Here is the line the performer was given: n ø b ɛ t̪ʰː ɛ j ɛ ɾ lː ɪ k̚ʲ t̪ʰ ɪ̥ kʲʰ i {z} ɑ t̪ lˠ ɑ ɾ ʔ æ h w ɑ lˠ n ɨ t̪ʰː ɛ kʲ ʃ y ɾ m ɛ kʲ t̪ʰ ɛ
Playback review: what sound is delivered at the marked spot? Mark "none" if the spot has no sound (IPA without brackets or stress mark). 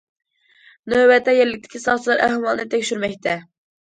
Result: s